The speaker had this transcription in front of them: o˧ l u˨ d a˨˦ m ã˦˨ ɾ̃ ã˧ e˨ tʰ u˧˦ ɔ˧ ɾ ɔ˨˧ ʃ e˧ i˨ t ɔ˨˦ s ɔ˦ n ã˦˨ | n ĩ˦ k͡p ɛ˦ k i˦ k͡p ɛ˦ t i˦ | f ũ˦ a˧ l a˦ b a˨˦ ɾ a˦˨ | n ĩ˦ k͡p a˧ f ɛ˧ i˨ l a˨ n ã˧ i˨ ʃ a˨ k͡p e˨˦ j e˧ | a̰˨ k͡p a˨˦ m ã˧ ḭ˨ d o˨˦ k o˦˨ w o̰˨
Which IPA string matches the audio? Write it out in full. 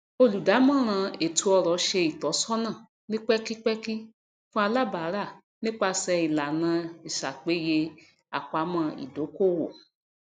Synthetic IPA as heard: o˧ l u˨ d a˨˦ m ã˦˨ ɾ̃ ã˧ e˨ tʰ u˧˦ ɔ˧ ɾ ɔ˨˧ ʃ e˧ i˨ t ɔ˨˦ s ɔ˦ n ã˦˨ | n ĩ˦ k͡p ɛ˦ k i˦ k͡p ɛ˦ k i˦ | f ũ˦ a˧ l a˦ b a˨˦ ɾ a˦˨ | n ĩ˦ k͡p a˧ s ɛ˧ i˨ l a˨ n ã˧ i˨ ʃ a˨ k͡p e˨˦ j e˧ | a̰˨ k͡p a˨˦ m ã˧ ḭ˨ d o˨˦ k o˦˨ w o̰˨